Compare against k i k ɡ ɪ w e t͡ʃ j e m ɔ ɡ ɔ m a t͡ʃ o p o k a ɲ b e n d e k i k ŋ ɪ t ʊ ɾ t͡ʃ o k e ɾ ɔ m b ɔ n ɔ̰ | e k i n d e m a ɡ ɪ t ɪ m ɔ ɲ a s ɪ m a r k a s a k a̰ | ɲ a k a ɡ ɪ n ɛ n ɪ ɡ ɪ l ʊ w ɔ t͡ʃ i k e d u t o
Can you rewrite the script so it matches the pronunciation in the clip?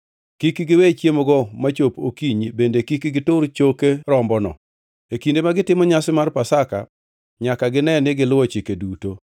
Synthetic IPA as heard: k i k ɡ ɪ w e t͡ʃ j e m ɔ ɡ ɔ m a t͡ʃ o p o k i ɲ b e n d e k i k ɡ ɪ t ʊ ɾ t͡ʃ o k e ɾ ɔ m b ɔ n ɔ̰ | e k i n d e m a ɡ ɪ t ɪ m ɔ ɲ a s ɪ m a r p a s a k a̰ | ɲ a k a ɡ ɪ n ɛ n ɪ ɡ ɪ l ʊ w ɔ t͡ʃ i k e d u t o